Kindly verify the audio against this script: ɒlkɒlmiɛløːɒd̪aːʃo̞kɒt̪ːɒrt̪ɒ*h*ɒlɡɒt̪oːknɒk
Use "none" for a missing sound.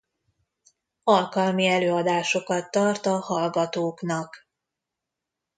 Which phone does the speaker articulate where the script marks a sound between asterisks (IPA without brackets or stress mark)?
h